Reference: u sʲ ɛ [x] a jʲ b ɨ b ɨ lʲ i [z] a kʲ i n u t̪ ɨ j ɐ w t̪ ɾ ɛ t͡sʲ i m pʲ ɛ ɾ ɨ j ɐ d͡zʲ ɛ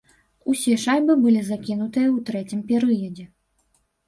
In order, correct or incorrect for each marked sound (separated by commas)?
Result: incorrect, correct